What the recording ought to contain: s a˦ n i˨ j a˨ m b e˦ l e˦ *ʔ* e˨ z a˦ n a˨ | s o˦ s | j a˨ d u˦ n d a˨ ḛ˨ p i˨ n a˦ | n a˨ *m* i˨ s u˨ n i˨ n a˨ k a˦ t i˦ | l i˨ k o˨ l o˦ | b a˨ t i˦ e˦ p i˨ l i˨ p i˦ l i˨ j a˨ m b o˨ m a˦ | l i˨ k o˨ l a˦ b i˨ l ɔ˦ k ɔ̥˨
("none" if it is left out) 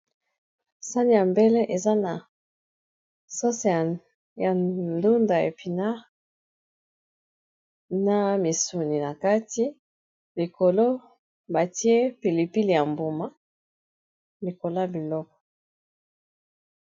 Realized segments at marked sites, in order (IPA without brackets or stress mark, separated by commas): ʔ, m